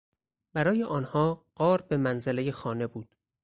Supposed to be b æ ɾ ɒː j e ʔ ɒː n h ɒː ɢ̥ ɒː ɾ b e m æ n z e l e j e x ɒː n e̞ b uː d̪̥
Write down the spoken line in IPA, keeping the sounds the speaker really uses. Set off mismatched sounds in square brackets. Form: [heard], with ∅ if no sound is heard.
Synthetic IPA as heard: b æ ɾ ɒː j e ʔ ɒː n h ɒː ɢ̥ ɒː ɾ b e m æ n z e l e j e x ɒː n e̞ b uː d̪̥